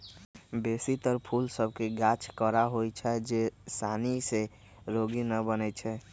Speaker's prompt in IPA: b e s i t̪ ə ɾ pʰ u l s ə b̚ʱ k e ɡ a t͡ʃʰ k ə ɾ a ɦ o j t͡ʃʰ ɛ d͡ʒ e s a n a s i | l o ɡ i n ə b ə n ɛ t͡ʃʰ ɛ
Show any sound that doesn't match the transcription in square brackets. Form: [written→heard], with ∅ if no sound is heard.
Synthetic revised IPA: b e s i t̪ ə ɾ pʰ u l s ə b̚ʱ k e ɡ a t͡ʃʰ k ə ɾ a ɦ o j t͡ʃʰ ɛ d͡ʒ e s a n [a→i] s [i→e] | [l→ɾ] o ɡ i n ə b ə n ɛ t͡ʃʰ ɛ